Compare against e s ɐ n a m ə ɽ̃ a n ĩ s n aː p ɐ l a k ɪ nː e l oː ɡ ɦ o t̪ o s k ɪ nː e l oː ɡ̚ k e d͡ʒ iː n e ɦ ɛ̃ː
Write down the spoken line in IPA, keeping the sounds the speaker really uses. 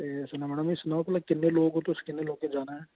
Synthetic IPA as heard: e s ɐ n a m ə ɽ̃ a m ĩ s n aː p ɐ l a k ɪ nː e l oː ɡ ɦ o t̪ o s k ɪ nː e l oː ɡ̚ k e d͡ʒ aː n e ɦ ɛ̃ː

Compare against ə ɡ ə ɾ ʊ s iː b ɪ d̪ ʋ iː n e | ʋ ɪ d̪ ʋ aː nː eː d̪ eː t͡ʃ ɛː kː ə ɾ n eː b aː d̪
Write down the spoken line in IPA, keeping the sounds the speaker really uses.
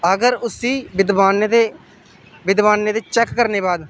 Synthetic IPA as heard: ə ɡ ə ɾ ʊ s iː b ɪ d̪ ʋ aː n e | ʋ ɪ d̪ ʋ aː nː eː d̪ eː t͡ʃ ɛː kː ə ɾ n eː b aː d̪

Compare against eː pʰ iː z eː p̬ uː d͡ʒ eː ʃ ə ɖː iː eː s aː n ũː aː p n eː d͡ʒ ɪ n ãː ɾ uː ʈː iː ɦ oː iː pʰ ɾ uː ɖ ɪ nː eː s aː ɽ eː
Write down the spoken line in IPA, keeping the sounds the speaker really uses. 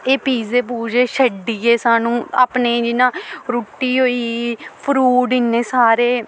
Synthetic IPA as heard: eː p iː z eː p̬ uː d͡ʒ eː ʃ ə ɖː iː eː s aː n ũː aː p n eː d͡ʒ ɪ n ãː ɾ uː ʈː iː ɦ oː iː pʰ ɾ uː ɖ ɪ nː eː s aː ɾ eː

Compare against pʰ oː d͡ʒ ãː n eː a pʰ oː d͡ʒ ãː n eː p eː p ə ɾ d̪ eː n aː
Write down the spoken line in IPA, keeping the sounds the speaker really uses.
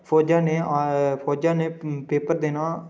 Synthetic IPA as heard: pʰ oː d͡ʒ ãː n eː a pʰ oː d͡ʒ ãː n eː p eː p ə ɾ d̪ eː n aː

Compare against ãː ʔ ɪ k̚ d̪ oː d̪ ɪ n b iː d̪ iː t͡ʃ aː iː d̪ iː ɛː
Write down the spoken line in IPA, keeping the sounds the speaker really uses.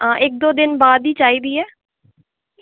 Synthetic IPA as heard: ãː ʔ ɪ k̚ d̪ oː d̪ ɪ n b aː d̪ iː t͡ʃ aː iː d̪ iː ɛː

